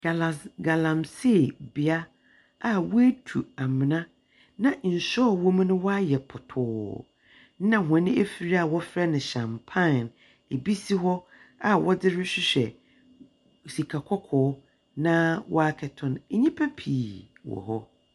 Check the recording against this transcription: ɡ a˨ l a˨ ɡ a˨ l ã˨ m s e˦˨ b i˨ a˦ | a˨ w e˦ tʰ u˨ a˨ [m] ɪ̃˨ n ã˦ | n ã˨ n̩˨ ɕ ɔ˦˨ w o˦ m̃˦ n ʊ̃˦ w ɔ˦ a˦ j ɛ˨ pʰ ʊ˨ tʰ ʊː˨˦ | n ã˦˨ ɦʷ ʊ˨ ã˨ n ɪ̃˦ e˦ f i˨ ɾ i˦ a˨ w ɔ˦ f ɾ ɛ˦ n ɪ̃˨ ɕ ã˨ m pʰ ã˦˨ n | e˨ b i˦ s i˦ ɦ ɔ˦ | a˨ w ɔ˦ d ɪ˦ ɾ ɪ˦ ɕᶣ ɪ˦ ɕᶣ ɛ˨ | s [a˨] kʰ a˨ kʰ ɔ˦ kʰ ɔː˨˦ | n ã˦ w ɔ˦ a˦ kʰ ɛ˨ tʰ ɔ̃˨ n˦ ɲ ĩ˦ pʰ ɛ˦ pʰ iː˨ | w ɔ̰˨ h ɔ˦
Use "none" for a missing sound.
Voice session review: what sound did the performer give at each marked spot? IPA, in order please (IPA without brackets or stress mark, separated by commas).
m, i˨